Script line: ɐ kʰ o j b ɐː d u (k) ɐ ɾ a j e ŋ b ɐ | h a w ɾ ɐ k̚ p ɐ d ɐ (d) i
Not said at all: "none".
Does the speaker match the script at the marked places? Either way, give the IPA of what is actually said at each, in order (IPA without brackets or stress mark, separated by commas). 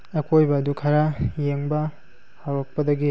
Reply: kʰ, ɡ